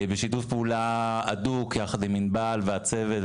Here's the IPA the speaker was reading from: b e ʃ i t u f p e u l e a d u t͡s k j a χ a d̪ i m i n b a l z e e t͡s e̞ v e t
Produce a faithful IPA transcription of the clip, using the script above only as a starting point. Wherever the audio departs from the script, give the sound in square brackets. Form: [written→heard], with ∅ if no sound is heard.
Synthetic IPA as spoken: b e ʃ i t u f p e u l [e→a] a d u [t͡s→∅] k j a χ a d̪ i m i n b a l [z→v] e [e→a] t͡s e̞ v e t